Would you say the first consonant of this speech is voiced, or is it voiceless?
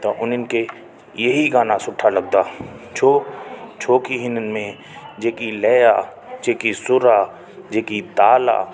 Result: voiceless